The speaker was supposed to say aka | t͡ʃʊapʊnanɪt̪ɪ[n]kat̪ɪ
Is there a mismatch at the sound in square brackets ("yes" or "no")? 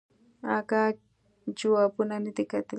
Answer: yes